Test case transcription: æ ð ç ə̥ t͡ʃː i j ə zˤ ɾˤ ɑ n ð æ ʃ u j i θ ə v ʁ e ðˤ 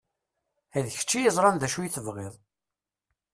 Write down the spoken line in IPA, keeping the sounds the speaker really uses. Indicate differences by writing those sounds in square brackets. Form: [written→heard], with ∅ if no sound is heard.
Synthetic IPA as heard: æ ð ç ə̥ t͡ʃː i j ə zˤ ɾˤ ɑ n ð æ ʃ u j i θ ə v ʁ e ðˤ